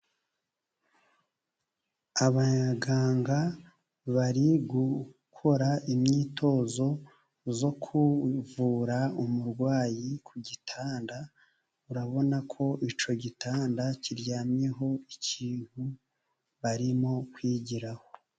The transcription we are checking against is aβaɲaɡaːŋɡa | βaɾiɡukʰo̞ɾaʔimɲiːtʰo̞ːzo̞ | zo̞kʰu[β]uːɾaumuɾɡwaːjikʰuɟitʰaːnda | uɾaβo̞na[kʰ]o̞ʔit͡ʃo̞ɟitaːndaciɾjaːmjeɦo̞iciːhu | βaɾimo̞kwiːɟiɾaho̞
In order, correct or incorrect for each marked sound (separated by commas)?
incorrect, correct